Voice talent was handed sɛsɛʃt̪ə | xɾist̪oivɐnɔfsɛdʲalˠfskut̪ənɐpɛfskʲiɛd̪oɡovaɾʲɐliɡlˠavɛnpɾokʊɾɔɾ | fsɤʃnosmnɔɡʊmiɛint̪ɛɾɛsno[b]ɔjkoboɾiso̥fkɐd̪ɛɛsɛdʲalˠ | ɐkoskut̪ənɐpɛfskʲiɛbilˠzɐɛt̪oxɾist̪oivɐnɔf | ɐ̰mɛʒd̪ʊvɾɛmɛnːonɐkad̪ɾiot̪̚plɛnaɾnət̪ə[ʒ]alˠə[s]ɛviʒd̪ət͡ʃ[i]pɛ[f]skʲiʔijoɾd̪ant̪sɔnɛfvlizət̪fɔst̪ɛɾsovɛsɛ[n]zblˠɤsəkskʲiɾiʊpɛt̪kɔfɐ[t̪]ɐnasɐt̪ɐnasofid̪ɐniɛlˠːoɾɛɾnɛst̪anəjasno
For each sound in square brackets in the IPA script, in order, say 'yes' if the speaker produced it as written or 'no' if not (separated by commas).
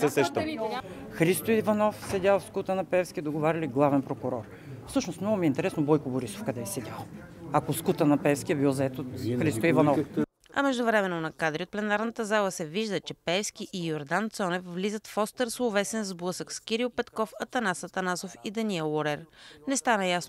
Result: yes, no, yes, no, yes, yes, yes